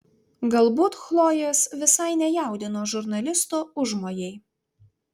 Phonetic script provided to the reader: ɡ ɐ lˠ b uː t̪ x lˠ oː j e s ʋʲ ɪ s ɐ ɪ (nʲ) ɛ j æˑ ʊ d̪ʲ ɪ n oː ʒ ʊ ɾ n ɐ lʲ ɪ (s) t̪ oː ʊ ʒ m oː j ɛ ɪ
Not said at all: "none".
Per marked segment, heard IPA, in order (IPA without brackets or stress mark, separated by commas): nʲ, s